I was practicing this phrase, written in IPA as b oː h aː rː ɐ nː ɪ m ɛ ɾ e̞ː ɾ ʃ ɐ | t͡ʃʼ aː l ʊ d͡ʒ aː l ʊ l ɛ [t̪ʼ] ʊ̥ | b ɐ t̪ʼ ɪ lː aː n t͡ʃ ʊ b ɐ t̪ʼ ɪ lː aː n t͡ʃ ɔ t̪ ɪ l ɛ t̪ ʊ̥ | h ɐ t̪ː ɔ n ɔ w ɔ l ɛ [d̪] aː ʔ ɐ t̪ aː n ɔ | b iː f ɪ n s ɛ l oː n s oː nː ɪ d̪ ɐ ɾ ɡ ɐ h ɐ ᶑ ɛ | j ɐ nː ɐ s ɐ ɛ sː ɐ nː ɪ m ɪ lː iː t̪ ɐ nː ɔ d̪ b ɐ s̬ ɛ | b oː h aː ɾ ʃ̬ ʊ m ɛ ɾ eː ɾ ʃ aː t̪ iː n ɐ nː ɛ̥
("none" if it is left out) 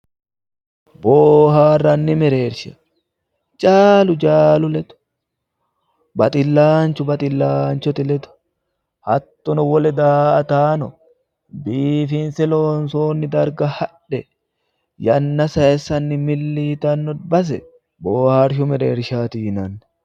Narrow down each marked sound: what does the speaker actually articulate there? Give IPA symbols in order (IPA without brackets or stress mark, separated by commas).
t̪, d̪